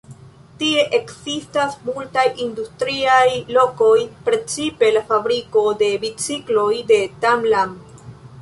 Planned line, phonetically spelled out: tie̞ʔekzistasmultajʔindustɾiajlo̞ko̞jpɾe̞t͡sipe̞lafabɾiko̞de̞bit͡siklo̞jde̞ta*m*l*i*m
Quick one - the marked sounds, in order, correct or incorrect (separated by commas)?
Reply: correct, incorrect